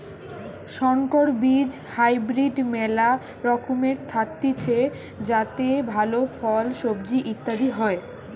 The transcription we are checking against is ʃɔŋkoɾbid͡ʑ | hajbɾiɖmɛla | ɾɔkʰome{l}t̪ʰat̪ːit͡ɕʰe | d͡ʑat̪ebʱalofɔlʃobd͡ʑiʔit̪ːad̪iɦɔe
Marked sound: incorrect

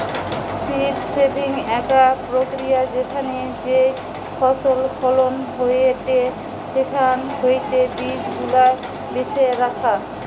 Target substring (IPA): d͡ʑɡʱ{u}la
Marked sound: correct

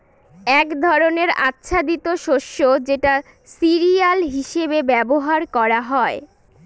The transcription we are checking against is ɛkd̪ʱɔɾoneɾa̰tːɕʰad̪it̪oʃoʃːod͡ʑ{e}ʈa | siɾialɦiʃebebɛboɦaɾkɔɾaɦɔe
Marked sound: correct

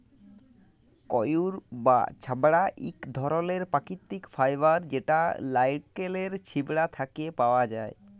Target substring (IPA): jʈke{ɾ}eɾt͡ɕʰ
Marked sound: incorrect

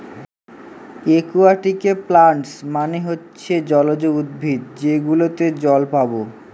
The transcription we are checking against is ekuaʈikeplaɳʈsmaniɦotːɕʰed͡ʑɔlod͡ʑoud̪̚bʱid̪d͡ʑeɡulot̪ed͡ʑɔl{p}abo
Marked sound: correct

